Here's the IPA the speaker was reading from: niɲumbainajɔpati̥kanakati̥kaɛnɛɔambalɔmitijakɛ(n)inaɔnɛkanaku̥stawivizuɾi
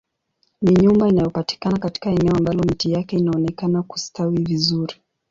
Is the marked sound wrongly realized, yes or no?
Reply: yes